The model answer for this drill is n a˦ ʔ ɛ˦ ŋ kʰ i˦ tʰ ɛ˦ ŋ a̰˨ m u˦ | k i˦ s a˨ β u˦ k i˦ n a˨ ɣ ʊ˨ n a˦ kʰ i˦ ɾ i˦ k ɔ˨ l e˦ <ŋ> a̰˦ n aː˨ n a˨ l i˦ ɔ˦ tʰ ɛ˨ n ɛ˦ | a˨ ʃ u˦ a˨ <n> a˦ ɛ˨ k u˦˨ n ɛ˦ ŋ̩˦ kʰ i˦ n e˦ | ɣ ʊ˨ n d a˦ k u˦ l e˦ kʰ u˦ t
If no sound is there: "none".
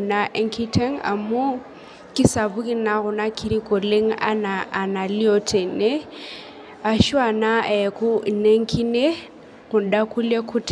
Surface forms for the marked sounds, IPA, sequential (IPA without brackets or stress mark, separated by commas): ŋ, n